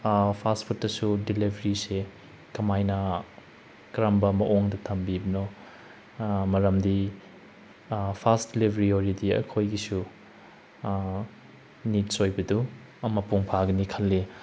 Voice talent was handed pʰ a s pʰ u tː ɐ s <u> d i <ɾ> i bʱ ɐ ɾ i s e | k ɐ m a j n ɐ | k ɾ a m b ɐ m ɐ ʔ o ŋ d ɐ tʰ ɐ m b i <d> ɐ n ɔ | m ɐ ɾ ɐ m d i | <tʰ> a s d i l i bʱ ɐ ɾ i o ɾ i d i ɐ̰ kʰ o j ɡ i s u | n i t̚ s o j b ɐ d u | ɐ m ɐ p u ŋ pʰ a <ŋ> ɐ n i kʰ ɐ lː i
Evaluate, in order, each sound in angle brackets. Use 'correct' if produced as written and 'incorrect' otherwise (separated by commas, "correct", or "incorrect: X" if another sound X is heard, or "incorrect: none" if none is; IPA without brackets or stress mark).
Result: correct, incorrect: l, incorrect: b, incorrect: pʰ, incorrect: ɡ